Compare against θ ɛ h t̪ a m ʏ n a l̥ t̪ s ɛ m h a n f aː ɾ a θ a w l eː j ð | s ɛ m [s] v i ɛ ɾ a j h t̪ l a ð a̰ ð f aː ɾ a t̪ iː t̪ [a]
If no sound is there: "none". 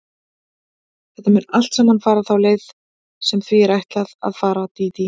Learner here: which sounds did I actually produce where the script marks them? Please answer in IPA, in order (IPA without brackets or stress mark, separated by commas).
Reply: θ, i